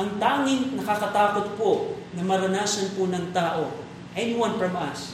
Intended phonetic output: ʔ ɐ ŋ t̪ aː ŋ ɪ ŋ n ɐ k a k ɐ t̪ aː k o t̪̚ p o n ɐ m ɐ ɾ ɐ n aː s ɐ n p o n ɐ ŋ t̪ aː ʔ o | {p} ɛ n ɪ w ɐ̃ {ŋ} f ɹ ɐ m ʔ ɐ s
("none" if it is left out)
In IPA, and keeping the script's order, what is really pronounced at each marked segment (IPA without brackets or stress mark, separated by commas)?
ʔ, n